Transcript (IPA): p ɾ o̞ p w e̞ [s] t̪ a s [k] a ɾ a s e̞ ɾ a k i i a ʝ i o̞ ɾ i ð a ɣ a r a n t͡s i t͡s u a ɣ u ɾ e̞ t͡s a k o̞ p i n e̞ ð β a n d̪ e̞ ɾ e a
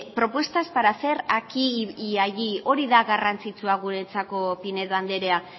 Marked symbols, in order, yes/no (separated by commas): yes, no